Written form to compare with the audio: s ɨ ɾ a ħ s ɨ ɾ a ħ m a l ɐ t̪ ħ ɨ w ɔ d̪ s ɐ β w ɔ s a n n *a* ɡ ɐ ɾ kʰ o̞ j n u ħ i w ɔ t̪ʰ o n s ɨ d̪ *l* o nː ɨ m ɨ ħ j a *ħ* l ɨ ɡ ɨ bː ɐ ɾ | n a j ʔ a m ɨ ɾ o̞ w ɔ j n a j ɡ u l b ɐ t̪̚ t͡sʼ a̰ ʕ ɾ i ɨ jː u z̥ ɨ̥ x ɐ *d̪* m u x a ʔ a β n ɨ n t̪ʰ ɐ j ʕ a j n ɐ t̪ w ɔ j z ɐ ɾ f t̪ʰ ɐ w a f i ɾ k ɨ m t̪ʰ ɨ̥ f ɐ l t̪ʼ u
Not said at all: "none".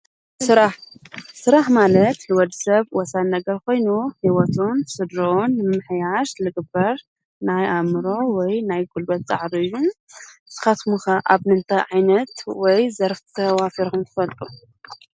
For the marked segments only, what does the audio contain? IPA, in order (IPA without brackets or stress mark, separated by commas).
ɐ, ɾ, ʃ, t̪